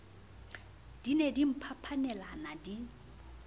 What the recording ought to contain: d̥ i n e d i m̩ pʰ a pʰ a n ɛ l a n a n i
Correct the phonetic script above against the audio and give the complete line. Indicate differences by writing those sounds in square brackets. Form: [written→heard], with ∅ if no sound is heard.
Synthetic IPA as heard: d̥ i n e d i m̩ pʰ a pʰ a n ɛ l a n a [n→d] i